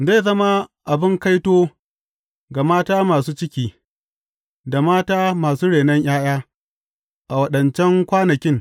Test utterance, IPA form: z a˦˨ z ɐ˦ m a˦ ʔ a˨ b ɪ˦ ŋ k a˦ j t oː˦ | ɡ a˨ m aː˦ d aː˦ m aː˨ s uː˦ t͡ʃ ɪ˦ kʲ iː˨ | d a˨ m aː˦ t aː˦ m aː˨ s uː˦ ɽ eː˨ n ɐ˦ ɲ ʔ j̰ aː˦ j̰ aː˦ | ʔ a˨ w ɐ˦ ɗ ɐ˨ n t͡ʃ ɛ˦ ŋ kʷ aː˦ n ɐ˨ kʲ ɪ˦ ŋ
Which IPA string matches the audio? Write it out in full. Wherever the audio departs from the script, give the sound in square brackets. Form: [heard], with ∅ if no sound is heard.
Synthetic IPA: z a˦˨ z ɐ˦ m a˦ ʔ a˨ b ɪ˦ ŋ k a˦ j t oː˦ | ɡ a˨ m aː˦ [t] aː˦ m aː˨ s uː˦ t͡ʃ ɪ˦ kʲ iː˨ | d a˨ m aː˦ t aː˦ m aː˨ s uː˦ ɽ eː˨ n ɐ˦ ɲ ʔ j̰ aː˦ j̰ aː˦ | ʔ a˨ w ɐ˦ ɗ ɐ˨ n t͡ʃ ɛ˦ ŋ kʷ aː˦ n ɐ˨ kʲ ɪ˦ ŋ